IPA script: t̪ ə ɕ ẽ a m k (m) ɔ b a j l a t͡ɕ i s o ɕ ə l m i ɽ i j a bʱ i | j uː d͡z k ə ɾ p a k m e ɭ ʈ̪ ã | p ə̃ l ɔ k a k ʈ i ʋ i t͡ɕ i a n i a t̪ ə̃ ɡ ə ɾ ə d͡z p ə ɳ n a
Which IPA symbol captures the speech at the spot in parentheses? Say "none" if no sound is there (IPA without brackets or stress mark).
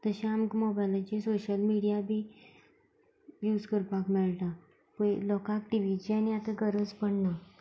m